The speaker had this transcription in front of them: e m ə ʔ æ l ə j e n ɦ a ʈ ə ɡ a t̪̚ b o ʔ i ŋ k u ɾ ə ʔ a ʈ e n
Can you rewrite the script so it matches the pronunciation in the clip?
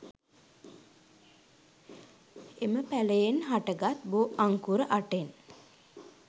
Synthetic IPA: e m ə p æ l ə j e n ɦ a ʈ ə ɡ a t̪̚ b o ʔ a ŋ k u ɾ ə ʔ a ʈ e n